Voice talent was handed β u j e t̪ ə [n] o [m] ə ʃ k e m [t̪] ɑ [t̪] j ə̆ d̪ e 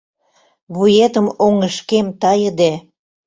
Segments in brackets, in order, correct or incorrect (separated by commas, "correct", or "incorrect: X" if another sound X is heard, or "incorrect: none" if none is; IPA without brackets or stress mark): incorrect: m, incorrect: ŋ, correct, incorrect: none